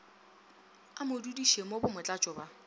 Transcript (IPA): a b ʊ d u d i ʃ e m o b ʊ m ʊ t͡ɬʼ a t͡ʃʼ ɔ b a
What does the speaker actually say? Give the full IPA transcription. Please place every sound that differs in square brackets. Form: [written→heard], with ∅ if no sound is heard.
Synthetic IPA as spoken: a [b→m] ʊ d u d i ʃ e m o b ʊ m ʊ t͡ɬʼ a t͡ʃʼ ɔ b a